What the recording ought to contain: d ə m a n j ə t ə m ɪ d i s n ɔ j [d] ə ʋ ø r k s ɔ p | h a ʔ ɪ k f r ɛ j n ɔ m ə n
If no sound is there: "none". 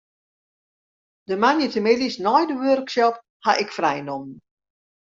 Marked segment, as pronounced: d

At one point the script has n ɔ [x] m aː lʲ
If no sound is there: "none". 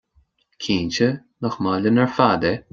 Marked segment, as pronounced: x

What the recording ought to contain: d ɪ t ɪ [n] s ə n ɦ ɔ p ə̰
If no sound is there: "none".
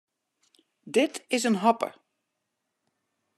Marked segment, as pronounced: none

